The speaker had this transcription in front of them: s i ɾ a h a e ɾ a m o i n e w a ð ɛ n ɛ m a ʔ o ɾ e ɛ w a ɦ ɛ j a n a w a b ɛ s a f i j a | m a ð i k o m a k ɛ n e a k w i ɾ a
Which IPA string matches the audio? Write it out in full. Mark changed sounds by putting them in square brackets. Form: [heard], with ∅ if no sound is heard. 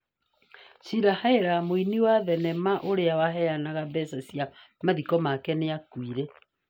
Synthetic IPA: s i ɾ a h a e ɾ a m o i n [i] w a ð ɛ n ɛ m a ʔ o ɾ e [a] w a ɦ ɛ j a n a [ɣ] a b ɛ s a [s] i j a | m a ð i k [ɔ] m a k ɛ n e a k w i ɾ [ɛ]